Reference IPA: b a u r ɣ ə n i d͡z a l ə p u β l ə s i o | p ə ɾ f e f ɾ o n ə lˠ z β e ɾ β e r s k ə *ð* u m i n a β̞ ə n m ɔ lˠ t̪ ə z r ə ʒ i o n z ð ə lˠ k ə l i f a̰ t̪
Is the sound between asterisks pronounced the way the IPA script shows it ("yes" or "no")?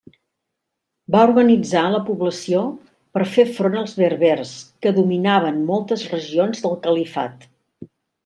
yes